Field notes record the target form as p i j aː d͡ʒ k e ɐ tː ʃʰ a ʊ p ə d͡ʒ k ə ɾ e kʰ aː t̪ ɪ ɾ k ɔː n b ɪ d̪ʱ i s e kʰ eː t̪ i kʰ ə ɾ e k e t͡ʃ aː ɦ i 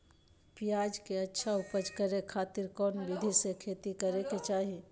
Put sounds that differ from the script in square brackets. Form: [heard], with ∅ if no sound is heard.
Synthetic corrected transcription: p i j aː d͡ʒ k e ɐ tː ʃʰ a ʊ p ə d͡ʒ k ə ɾ e kʰ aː t̪ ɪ ɾ k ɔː n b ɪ d̪ʱ i s e kʰ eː t̪ i [k] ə ɾ e k e t͡ʃ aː ɦ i